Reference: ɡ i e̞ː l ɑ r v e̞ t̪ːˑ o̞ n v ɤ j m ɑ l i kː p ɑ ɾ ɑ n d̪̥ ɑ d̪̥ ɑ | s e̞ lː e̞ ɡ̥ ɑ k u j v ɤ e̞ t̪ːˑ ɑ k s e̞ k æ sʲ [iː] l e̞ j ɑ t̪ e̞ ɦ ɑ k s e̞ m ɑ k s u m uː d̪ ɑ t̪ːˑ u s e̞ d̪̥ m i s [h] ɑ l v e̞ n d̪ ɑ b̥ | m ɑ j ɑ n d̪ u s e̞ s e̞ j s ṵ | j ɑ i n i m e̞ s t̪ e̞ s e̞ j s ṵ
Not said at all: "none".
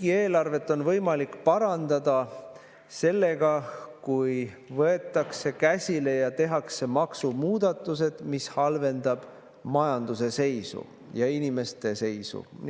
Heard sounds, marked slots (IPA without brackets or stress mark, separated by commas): i, h